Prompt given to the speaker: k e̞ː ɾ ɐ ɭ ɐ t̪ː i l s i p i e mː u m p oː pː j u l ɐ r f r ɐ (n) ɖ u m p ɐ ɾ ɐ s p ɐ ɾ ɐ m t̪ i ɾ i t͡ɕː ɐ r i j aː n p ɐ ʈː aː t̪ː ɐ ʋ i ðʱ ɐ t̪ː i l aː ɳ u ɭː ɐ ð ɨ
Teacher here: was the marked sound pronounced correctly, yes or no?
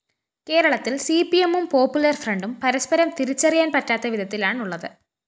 no